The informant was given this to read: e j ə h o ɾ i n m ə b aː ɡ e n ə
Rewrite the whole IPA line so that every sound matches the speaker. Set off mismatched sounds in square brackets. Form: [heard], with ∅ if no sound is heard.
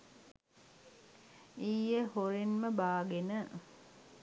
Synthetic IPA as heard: [i] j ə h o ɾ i n m ə b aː ɡ e n ə